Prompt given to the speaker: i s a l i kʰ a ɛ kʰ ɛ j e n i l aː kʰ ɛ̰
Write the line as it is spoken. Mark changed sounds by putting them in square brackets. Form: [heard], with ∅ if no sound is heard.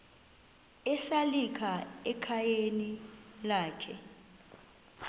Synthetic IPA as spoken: [ɛ] s a l i kʰ a ɛ kʰ [a] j e n i l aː kʰ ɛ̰